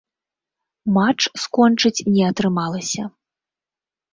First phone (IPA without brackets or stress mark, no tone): m